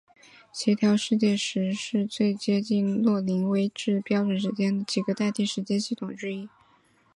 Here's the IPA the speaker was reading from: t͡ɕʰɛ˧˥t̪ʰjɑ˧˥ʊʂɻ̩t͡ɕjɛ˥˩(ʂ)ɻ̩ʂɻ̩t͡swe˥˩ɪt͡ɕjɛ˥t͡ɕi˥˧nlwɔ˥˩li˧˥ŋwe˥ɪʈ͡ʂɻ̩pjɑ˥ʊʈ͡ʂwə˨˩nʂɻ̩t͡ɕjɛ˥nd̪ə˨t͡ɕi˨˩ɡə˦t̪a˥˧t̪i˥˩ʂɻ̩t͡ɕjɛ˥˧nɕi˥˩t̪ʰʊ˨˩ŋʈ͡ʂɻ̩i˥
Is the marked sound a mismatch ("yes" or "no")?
no